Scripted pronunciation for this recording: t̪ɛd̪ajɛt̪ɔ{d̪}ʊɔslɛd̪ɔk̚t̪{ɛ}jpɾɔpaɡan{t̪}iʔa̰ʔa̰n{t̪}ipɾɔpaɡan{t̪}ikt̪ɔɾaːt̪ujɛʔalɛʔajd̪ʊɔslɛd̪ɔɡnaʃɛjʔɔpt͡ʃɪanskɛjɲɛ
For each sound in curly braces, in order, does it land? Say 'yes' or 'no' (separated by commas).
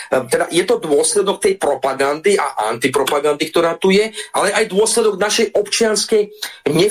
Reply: yes, yes, no, yes, no